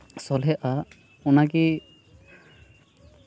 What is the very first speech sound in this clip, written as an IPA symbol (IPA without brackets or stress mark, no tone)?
s